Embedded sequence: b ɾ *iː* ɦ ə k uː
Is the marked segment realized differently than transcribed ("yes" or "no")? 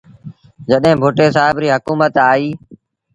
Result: no